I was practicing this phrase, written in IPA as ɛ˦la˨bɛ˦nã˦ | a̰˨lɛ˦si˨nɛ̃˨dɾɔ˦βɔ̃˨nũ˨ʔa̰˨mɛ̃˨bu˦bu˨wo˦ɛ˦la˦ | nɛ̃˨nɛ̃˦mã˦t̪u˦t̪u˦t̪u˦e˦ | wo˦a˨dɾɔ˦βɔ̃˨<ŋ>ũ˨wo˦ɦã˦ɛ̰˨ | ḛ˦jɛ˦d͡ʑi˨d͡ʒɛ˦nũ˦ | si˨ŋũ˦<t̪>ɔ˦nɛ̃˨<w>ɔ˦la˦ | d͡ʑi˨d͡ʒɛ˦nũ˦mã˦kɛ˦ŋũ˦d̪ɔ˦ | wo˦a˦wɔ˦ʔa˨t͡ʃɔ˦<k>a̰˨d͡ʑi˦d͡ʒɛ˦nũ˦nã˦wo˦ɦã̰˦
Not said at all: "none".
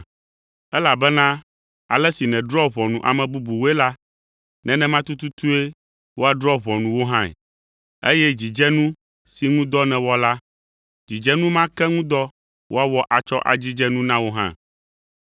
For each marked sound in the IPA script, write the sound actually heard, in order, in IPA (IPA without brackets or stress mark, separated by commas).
n, d̪, w, ʔ